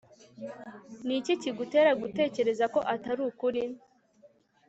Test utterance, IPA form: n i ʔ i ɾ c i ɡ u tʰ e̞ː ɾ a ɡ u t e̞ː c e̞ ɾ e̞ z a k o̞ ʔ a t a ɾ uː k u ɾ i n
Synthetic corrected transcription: n i c i c i ɡ u t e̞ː ɾ a ɡ u t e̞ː c e̞ ɾ e̞ z a k o̞ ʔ a t a ɾ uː k u ɾ i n